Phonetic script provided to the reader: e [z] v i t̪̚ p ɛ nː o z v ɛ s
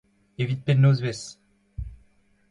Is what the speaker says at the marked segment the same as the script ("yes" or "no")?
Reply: no